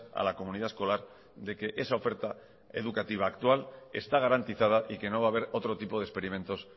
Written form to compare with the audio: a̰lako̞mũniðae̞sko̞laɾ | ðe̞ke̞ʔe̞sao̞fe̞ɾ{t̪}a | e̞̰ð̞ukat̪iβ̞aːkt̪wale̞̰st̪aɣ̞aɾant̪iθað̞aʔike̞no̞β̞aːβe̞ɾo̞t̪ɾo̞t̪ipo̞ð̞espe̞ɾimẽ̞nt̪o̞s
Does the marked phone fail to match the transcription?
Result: no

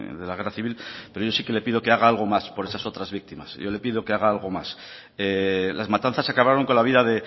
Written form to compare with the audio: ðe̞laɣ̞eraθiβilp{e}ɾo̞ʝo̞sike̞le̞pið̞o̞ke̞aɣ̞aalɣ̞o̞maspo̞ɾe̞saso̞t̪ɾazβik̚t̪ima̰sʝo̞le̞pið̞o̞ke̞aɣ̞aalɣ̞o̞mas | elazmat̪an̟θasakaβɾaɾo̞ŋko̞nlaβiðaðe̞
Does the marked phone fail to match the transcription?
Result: no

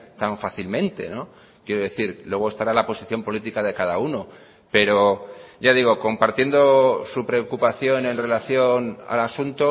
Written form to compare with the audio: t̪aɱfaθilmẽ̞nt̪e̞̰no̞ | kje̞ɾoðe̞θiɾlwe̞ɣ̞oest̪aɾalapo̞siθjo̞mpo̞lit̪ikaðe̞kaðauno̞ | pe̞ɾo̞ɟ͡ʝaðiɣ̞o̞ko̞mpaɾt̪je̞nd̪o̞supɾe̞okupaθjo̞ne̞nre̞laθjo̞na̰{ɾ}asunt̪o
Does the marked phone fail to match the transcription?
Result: yes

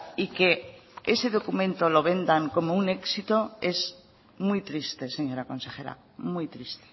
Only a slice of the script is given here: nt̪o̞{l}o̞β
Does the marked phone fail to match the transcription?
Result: no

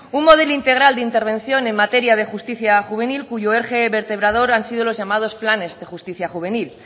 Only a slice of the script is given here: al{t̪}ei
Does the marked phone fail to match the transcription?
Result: yes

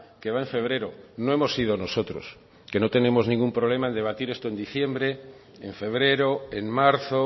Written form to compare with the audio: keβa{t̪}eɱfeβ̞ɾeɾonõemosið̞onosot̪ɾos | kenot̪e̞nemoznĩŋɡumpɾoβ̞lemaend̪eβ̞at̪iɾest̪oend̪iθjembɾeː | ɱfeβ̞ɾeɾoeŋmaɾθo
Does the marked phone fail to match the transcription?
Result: yes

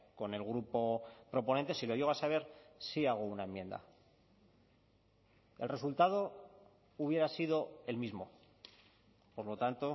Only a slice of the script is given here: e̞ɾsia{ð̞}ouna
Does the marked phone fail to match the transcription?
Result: yes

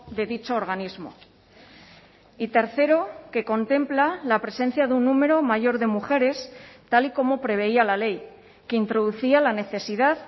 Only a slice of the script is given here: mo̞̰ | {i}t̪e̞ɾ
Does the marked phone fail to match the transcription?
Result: no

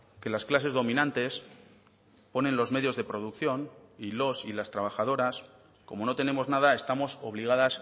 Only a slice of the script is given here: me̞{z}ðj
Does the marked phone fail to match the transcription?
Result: yes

